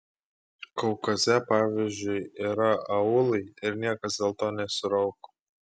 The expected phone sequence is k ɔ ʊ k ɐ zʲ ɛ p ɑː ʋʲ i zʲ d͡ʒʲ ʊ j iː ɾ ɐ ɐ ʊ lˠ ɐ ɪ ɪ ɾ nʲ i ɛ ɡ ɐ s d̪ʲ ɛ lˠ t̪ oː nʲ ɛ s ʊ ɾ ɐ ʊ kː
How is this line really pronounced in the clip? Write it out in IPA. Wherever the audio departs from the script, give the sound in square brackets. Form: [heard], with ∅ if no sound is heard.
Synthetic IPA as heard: k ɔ ʊ k ɐ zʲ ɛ p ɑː ʋʲ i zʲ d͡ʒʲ ʊ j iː ɾ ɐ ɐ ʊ lˠ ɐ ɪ ɪ ɾ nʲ i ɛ [k] ɐ s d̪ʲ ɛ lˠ t̪ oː nʲ ɛ s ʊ ɾ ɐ ʊ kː